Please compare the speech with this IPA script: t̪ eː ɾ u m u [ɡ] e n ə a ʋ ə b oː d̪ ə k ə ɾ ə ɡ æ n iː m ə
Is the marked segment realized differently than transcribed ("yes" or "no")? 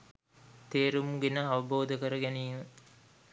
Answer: no